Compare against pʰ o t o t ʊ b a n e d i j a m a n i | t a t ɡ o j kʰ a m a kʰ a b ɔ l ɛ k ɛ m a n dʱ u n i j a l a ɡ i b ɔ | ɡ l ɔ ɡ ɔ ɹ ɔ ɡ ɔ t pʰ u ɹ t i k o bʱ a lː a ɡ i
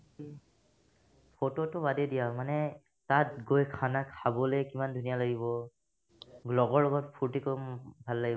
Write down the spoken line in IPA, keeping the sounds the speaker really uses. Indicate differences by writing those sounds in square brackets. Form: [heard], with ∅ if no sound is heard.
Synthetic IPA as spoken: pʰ o t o t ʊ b a [d] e d i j a m a n [ɛ] | t a t ɡ o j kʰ a [n] a kʰ a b ɔ l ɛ k [i] m a n dʱ u n i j a l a ɡ i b ɔ | ɡ l ɔ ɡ ɔ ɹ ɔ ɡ ɔ t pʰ u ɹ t i k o bʱ a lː a ɡ i